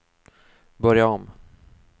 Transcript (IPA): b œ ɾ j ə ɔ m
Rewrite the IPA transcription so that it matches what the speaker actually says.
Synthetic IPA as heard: b œ ɾ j a ɔ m